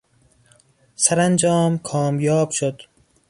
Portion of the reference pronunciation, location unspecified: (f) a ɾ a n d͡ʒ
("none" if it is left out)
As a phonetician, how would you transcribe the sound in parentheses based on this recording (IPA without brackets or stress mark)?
s